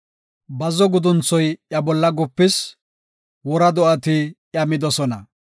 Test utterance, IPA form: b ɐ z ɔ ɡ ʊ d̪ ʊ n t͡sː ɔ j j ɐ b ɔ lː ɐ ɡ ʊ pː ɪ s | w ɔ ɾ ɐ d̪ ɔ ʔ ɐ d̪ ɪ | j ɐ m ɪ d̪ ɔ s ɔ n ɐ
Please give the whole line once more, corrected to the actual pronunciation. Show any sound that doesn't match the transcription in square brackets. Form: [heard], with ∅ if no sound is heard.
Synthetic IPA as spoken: b ɐ z ɔ ɡ ʊ d̪ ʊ n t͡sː ɔ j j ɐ b ɔ lː ɐ ɡ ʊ pː ɪ s | w ɔ ɾ ɐ d̪ ɔ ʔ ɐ [t̪] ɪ | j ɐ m ɪ d̪ ɔ s ɔ n ɐ